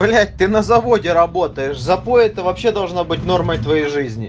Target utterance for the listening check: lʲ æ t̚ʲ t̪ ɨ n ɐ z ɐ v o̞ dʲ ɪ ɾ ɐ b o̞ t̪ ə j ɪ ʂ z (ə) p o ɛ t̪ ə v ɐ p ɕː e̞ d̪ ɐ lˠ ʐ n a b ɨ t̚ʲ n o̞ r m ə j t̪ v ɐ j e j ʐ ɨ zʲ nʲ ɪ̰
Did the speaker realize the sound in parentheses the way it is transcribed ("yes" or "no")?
no